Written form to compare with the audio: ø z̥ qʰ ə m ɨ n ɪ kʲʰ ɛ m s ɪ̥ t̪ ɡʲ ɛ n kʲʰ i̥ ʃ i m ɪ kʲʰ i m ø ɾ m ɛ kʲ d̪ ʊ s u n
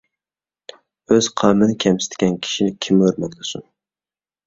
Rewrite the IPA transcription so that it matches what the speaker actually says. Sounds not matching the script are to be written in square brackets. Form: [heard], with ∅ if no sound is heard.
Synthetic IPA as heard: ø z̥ qʰ [ɑ] m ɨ n ɪ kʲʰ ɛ m s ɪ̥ t̪ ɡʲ ɛ n kʲʰ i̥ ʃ i [n] ɪ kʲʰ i m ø ɾ m ɛ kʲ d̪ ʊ s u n